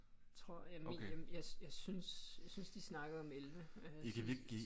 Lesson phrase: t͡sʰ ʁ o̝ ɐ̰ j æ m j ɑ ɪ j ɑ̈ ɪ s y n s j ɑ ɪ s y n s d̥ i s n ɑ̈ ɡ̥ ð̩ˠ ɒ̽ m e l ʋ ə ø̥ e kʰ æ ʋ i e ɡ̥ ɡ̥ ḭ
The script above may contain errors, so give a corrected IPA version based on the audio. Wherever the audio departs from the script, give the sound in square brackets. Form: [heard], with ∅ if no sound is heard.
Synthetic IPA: t͡sʰ ʁ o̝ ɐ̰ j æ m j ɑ ɪ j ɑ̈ ɪ s y n s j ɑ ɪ s y n s d̥ i s n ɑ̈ ɡ̥ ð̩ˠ ɒ̽ m e l ʋ ə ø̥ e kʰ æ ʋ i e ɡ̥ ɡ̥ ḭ